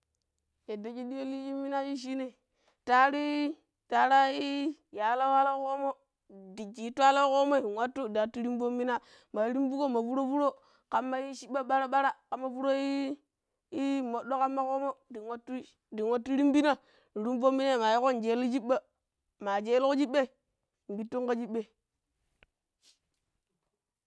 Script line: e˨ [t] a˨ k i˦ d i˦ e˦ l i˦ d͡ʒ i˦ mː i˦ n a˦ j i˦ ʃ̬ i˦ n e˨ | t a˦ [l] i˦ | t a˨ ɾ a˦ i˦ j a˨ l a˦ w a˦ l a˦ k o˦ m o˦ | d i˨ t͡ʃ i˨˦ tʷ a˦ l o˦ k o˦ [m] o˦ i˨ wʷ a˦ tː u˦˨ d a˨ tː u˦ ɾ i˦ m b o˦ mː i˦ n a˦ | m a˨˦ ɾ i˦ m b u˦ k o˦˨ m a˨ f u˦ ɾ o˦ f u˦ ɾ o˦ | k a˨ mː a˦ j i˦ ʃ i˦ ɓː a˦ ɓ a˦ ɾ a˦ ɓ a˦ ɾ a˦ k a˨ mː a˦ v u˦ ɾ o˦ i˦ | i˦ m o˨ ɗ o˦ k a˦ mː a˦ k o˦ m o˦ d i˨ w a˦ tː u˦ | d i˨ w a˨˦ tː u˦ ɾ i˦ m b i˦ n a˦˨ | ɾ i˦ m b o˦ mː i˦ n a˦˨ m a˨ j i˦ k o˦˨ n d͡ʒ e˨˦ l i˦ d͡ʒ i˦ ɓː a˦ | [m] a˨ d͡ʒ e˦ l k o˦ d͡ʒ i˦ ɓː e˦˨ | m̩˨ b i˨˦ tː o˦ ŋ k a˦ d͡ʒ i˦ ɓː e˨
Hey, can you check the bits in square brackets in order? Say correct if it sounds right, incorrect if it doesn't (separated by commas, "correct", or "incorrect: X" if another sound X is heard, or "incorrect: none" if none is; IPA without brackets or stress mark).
incorrect: d, incorrect: ɾ, correct, correct